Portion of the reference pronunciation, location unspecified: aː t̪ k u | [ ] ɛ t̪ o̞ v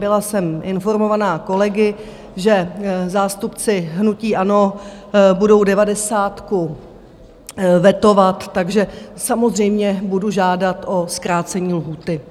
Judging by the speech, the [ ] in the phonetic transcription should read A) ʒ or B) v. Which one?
B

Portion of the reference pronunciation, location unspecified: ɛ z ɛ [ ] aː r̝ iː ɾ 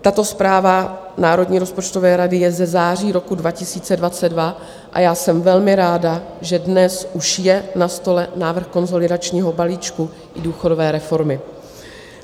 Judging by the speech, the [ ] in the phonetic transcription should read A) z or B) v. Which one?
A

